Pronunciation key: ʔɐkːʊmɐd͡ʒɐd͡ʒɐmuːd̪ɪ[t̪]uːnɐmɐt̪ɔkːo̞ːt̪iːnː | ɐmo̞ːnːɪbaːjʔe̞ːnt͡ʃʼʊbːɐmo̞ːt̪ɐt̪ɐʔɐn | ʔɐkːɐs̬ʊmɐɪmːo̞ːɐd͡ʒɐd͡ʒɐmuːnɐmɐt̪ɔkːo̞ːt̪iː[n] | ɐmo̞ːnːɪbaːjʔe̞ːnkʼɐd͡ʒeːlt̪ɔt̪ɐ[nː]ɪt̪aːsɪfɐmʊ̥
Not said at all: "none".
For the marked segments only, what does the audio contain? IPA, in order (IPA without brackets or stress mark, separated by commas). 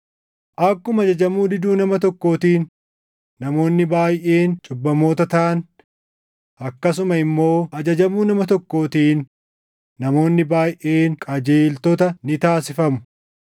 d̪, nː, n